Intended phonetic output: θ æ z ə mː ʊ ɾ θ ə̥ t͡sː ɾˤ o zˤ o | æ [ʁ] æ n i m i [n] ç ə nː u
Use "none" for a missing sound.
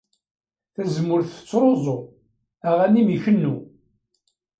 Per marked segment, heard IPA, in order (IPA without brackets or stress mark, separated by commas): ʁ, none